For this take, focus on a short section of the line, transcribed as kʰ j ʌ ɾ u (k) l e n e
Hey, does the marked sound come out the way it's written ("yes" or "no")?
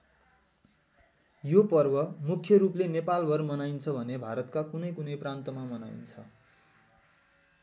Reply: no